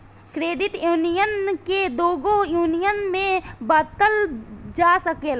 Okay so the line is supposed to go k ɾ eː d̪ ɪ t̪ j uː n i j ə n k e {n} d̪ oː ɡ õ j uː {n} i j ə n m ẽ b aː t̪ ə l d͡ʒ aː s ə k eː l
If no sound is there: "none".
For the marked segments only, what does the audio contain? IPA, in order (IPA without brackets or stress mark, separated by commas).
none, n